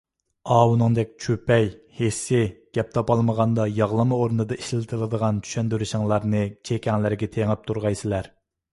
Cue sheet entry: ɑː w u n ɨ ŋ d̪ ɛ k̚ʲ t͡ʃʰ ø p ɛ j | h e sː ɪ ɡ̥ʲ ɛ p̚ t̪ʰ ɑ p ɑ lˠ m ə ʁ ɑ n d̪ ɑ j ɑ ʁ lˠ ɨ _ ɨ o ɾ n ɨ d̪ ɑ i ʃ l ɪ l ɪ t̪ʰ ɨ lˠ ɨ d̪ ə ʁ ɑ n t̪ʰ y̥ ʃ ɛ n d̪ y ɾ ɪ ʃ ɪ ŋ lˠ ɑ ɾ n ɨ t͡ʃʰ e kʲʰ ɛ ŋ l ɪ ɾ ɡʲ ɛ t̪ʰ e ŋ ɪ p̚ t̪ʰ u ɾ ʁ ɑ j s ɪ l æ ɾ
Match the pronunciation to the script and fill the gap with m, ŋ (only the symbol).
m